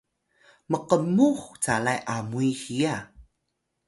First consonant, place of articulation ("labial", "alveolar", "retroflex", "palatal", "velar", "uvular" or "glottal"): labial